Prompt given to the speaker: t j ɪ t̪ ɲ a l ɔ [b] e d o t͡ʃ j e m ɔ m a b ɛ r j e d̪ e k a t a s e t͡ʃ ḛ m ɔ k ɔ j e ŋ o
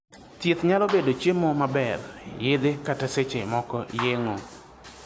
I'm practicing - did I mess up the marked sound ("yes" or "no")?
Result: no